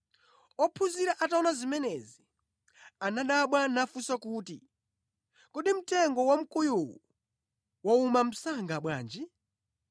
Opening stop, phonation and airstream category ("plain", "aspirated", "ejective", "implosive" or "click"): aspirated